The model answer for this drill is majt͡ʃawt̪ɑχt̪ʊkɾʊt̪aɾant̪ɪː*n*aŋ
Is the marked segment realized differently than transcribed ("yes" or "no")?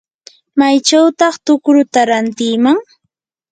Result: yes